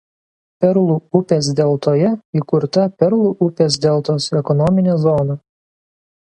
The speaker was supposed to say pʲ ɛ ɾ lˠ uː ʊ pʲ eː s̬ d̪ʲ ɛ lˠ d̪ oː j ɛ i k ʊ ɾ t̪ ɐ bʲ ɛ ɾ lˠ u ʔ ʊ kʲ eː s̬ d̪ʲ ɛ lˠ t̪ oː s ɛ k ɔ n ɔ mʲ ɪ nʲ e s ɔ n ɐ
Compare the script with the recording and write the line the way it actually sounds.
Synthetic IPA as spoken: pʲ ɛ ɾ lˠ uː ʊ pʲ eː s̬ d̪ʲ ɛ lˠ t̪ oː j ɛ i k ʊ ɾ t̪ ɐ pʲ ɛ ɾ lˠ u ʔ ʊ pʲ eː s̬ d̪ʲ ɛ lˠ t̪ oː s ɛ k ɔ n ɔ mʲ ɪ nʲ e z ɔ n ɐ